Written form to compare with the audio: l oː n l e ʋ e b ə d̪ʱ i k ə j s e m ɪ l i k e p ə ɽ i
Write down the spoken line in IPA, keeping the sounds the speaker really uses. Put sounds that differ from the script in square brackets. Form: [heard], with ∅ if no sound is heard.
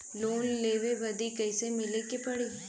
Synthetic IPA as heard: l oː n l e ʋ e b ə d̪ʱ i k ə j s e m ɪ l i k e p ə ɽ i